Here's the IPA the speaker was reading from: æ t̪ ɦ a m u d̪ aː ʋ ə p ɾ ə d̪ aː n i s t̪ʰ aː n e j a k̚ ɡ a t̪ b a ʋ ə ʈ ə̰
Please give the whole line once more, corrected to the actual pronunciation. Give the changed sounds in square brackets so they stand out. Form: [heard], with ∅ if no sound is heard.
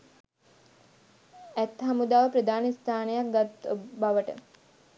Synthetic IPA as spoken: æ t̪ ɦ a m u d̪ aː ʋ ə p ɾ ə d̪ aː n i s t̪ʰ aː n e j a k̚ ɡ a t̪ b a ʋ ə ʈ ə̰